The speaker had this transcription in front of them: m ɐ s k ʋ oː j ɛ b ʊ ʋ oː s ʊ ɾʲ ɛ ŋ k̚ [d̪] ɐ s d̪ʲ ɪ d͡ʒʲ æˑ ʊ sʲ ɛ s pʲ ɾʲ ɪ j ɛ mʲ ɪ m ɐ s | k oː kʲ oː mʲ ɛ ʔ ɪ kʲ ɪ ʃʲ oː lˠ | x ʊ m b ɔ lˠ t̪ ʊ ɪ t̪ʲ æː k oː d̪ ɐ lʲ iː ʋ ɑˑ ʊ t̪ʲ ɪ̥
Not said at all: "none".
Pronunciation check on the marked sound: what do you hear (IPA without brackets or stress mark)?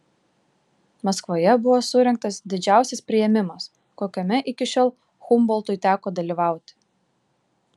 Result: t̪